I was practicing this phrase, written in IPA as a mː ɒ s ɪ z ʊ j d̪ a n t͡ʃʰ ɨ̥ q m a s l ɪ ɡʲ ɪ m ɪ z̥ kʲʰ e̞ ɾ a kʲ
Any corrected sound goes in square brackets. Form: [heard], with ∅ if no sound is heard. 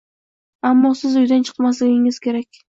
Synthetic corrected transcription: a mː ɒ s ɪ z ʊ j d̪ a n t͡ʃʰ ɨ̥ q m a s l ɪ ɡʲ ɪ [ŋ] ɪ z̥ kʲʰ e̞ ɾ a kʲ